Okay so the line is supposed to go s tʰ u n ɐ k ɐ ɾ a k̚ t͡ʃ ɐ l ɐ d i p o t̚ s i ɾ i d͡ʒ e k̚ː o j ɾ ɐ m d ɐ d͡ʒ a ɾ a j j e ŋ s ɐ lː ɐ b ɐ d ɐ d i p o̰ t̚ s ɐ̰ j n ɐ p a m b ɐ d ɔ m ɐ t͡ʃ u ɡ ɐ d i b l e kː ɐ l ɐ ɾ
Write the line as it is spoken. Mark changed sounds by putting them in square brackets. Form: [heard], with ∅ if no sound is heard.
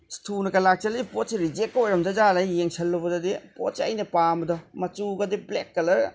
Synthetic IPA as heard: s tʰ u n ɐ k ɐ [l] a k̚ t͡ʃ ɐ l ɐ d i p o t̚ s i ɾ i d͡ʒ e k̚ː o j ɾ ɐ m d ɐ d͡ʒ a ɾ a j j e ŋ s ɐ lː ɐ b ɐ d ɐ d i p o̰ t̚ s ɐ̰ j n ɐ p a m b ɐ d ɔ m ɐ t͡ʃ u ɡ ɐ d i b l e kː ɐ l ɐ ɾ